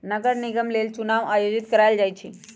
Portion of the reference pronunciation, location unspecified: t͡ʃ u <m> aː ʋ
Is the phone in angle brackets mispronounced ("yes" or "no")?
yes